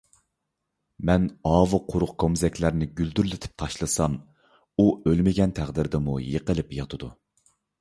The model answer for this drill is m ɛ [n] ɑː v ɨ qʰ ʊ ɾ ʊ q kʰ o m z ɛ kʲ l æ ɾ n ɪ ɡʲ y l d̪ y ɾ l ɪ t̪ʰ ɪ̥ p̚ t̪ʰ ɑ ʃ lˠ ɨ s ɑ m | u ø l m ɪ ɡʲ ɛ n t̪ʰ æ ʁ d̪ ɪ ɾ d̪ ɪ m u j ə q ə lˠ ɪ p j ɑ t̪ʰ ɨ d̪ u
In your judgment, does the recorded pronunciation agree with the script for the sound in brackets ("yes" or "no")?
yes